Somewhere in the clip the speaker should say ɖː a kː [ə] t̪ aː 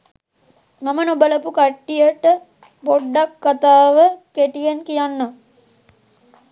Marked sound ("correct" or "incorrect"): incorrect